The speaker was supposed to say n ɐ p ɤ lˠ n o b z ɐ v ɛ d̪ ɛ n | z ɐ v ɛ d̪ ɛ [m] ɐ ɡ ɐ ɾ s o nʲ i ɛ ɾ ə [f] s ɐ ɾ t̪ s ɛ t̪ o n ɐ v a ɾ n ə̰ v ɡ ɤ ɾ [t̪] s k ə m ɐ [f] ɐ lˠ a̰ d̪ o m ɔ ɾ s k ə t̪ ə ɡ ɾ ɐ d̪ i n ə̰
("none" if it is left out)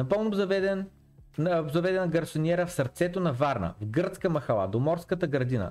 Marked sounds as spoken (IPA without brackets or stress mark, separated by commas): n, f, t̪, x